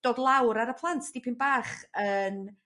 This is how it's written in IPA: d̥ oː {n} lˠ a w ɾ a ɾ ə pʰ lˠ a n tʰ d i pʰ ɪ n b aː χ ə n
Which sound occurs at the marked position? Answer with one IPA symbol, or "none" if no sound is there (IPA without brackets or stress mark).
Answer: d